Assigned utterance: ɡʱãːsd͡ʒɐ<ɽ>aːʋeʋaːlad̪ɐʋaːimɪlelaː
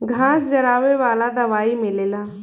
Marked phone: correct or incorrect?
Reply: incorrect